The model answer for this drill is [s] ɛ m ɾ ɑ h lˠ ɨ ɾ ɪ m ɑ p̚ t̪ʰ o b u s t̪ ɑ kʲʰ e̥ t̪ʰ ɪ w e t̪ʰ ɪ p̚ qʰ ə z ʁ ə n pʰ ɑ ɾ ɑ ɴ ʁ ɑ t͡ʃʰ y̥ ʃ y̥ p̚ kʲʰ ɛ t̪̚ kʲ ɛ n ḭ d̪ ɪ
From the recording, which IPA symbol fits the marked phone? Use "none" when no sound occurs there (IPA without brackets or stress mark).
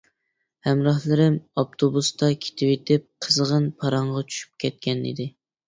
h